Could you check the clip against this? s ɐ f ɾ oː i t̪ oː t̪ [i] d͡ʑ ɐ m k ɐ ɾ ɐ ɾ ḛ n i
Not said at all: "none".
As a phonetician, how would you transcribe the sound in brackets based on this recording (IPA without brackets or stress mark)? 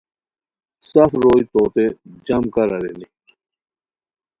e